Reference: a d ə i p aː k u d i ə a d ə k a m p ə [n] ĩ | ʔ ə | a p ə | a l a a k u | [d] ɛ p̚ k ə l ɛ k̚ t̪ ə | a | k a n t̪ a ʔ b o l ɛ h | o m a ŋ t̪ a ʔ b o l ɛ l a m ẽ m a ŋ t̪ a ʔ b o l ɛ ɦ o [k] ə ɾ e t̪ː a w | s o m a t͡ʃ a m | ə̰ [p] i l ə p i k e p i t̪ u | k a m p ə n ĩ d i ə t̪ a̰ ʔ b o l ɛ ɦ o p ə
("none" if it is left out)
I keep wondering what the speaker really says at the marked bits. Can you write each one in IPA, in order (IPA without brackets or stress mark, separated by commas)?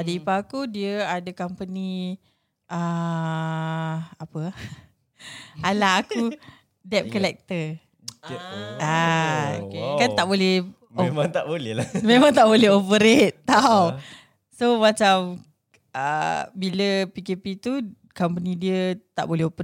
n, d, p, b